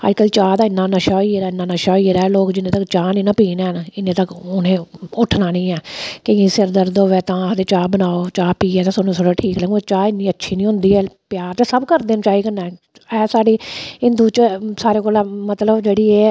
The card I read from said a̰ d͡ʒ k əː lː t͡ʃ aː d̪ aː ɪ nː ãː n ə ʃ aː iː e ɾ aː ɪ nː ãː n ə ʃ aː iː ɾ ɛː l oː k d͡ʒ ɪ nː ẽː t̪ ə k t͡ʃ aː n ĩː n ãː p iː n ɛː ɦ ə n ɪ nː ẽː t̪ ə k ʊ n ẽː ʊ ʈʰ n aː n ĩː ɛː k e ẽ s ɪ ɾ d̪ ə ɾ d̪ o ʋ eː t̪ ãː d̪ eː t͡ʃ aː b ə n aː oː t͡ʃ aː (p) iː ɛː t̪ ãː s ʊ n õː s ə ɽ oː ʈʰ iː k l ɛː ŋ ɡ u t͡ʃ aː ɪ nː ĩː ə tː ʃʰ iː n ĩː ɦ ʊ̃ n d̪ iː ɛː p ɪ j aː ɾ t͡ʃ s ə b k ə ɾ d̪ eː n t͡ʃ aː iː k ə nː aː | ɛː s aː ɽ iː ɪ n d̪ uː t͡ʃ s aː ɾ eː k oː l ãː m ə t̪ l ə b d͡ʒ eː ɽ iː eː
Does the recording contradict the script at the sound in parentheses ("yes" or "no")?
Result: no